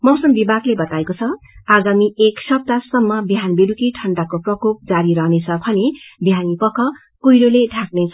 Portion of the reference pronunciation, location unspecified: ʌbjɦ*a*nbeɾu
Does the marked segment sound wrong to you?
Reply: no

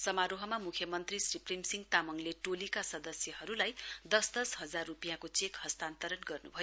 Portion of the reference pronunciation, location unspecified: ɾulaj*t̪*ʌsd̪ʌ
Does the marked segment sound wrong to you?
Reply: yes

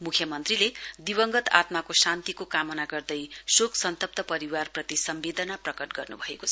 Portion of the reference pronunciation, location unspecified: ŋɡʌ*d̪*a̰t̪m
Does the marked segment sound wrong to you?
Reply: yes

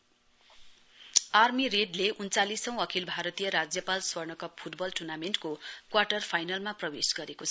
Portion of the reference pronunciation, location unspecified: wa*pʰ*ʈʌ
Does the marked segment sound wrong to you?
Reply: yes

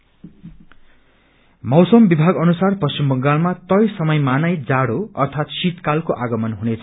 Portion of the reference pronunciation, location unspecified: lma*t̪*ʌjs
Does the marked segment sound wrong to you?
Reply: no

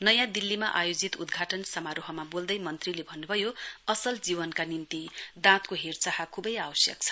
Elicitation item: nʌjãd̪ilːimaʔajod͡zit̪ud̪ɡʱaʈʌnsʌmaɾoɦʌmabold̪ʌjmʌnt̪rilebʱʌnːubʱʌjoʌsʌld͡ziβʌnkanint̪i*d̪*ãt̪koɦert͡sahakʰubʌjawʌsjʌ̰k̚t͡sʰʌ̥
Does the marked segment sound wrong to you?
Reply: no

